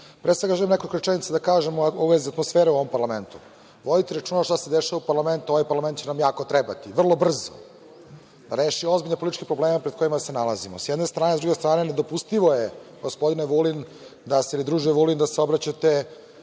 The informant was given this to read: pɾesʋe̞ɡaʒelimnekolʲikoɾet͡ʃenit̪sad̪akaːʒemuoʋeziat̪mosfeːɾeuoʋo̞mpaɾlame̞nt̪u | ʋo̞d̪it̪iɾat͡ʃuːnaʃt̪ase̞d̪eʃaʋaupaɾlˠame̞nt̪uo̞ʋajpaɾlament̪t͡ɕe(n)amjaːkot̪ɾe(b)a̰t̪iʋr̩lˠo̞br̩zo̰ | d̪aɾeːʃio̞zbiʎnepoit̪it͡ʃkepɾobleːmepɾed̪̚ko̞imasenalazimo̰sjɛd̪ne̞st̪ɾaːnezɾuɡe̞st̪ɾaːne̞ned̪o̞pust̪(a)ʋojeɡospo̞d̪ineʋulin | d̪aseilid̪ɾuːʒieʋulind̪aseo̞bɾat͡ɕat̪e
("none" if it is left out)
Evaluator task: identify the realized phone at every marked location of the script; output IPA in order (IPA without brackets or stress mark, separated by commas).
n, b, i